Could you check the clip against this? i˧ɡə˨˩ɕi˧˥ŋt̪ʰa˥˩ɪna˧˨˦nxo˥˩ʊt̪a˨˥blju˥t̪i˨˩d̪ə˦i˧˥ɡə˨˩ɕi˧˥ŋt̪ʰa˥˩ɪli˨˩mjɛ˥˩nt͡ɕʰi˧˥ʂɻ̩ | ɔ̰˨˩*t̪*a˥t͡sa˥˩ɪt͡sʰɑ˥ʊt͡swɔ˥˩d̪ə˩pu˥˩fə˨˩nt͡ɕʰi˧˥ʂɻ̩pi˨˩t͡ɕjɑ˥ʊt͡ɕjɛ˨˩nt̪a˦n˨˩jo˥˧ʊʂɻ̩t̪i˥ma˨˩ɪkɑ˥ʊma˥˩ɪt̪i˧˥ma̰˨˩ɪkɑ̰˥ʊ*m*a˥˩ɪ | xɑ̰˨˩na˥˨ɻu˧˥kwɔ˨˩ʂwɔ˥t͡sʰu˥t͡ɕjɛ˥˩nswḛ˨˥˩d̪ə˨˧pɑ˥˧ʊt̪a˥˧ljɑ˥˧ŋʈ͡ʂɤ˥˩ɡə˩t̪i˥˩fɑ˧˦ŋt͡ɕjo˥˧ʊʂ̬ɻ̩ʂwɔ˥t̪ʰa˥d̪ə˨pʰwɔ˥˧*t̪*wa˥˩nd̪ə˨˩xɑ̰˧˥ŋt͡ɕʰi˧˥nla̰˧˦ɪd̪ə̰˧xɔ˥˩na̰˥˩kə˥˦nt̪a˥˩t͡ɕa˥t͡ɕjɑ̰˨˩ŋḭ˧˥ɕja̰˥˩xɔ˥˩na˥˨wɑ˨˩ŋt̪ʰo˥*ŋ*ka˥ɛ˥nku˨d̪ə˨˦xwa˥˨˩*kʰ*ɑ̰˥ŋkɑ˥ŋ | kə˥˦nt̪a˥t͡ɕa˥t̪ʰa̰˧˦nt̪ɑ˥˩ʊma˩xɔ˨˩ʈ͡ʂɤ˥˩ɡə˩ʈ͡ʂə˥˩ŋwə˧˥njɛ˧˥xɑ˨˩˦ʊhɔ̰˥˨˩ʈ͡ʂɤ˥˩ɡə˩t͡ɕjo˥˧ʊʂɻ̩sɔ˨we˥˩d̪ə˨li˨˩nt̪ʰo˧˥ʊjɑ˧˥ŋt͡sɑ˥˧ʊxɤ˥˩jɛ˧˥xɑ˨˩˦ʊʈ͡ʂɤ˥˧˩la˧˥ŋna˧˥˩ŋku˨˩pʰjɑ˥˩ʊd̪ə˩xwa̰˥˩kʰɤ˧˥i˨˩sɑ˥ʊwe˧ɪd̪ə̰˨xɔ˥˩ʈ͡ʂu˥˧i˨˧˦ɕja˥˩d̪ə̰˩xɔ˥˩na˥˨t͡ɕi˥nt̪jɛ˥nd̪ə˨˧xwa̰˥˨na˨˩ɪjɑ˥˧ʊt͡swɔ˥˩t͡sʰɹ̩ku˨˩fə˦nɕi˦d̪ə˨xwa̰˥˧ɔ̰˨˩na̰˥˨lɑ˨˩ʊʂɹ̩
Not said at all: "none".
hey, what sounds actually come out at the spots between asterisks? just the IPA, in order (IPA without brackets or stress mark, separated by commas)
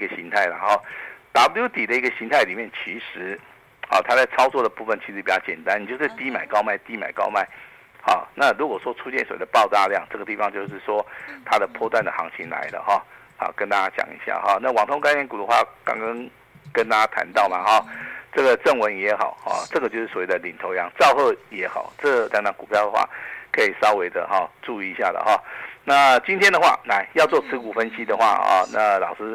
t̪ʰ, m, t̪, ŋ, k